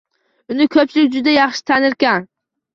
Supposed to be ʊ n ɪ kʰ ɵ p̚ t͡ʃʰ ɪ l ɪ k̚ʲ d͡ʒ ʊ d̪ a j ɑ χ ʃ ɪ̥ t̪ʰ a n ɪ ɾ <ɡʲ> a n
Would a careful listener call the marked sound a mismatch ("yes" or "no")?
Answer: yes